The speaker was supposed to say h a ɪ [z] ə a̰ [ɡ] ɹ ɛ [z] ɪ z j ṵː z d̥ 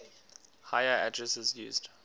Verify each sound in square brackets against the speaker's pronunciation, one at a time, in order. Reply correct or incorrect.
incorrect: none, incorrect: d, incorrect: s

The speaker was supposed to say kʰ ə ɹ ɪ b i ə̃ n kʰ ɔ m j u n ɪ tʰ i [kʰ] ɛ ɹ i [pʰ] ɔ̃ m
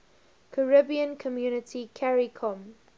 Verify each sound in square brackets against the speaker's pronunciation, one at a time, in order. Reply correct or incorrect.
correct, incorrect: kʰ

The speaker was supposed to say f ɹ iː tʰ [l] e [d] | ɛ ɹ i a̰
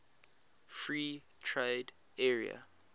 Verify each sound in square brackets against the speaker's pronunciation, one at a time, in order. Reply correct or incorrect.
incorrect: ɹ, correct

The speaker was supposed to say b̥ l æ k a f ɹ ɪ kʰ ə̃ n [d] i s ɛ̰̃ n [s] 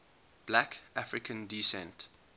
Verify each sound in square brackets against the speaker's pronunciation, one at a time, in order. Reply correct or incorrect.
correct, incorrect: t

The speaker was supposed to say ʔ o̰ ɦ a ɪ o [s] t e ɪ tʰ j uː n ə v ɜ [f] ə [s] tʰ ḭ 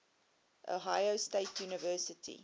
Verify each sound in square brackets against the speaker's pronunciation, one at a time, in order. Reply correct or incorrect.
correct, incorrect: s, incorrect: none

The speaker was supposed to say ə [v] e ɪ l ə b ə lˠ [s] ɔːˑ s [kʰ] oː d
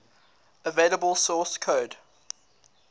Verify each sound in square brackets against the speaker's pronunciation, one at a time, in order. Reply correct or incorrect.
correct, correct, correct

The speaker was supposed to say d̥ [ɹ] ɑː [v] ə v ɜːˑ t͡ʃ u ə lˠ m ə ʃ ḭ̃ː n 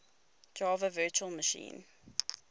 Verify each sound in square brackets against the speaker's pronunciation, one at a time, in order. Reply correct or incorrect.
correct, correct

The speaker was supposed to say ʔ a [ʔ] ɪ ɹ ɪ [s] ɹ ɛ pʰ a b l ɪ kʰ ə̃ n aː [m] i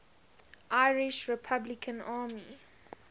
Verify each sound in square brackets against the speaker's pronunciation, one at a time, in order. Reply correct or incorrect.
incorrect: none, incorrect: ʃ, correct

